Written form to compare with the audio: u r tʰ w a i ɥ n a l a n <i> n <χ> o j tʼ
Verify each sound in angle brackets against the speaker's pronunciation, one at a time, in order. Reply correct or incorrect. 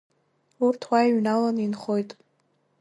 correct, correct

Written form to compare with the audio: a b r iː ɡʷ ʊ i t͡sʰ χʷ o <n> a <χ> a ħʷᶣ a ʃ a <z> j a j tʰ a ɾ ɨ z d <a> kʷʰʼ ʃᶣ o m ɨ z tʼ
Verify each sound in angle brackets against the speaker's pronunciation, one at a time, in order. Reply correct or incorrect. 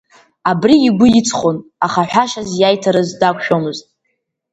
correct, correct, correct, correct

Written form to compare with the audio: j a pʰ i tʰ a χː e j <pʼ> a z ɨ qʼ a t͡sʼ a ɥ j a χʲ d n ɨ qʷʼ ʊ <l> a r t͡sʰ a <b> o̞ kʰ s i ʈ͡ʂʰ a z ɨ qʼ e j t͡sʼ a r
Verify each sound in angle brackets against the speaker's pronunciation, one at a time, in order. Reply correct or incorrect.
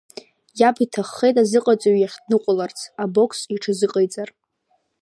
incorrect, correct, correct

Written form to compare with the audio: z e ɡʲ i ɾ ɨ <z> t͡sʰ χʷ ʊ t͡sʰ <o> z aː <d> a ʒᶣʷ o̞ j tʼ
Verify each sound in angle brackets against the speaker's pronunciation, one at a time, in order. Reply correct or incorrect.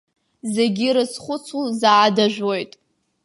incorrect, incorrect, correct

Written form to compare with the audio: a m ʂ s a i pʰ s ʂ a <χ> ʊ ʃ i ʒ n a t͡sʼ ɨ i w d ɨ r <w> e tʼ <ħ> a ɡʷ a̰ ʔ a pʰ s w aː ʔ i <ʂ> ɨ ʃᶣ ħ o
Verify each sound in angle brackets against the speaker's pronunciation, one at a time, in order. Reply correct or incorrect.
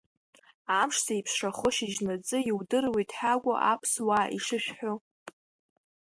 correct, correct, correct, correct

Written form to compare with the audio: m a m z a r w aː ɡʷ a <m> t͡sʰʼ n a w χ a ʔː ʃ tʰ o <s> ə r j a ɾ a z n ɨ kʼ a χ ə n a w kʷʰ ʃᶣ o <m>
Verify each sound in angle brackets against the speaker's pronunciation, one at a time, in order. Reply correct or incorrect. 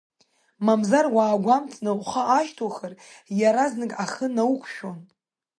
correct, incorrect, incorrect

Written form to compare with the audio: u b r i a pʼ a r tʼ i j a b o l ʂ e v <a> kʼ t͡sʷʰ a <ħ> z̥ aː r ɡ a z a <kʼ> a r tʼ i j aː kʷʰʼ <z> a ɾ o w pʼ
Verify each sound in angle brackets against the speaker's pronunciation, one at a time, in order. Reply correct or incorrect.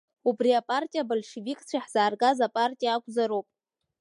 incorrect, correct, incorrect, correct

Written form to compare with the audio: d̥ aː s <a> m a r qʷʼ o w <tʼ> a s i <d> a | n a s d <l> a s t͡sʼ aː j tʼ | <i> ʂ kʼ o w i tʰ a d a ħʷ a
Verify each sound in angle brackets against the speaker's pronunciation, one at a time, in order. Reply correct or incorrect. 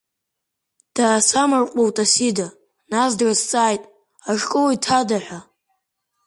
correct, correct, correct, incorrect, incorrect

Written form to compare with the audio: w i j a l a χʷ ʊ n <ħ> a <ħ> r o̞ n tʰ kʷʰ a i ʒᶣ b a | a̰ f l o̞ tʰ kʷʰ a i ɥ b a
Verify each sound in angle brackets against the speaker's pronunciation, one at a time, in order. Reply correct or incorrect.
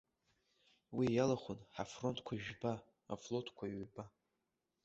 correct, incorrect

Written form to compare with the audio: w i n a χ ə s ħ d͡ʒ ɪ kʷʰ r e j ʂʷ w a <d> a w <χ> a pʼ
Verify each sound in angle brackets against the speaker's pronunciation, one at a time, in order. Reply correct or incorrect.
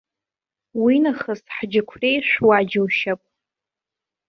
incorrect, incorrect

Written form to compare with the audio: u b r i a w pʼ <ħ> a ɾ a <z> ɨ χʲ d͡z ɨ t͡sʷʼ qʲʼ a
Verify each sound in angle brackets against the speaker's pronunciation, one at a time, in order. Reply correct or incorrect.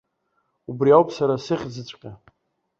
incorrect, incorrect

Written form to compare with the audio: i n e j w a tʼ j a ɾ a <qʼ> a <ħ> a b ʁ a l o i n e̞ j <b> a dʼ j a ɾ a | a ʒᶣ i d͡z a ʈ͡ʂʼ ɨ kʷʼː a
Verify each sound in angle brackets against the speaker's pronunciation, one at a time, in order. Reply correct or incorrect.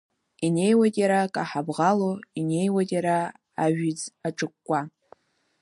incorrect, correct, incorrect

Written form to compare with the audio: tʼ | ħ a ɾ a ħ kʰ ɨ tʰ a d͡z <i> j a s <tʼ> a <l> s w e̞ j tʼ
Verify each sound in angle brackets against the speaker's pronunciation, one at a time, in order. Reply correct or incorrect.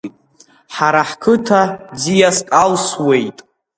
correct, incorrect, correct

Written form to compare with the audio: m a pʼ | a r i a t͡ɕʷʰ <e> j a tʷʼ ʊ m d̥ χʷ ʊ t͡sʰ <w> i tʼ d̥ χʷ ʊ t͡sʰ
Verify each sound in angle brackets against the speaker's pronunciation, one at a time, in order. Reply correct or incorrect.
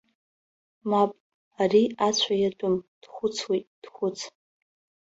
incorrect, correct

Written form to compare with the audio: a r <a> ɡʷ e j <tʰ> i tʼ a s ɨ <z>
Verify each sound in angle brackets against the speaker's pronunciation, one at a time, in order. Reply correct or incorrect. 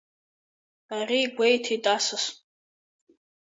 incorrect, correct, incorrect

